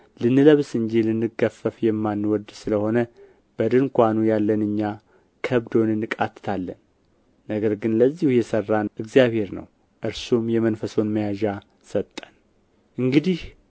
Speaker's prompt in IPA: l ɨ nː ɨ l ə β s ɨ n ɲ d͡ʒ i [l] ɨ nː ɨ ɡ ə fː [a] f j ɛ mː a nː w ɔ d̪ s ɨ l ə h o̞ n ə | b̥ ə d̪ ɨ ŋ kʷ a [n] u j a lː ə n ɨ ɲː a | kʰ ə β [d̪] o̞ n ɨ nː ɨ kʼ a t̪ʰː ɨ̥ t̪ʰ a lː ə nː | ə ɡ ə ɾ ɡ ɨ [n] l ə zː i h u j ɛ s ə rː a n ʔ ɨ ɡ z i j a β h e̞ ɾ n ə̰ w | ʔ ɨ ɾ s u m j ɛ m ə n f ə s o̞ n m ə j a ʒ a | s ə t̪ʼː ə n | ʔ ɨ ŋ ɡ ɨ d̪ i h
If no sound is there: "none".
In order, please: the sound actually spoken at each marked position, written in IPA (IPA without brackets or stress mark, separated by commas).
l, ə, n, d̪, n